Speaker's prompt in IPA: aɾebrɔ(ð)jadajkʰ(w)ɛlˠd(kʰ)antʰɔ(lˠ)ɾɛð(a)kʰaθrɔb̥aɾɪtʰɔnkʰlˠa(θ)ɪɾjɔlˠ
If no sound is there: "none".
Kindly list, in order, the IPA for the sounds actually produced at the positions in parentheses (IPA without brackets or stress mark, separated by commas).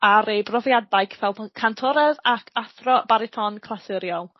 v, v, kʰ, none, a, s